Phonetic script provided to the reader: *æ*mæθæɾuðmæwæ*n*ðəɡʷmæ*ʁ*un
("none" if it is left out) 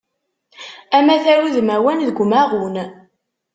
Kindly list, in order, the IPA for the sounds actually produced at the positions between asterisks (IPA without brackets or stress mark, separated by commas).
æ, n, ʁ